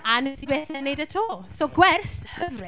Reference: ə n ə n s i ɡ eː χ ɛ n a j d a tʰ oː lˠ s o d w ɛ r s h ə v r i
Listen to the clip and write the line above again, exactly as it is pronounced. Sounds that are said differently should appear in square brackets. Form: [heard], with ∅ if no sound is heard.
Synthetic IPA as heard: [a] n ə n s i [b] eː [θ] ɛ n [e] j d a tʰ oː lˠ s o [ɡ] w ɛ r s h ə v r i